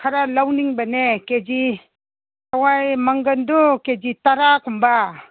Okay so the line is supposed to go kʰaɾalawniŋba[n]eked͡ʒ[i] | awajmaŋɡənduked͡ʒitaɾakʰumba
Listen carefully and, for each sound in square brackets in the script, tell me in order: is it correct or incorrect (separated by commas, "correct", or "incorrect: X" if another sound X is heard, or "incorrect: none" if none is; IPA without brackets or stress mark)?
correct, correct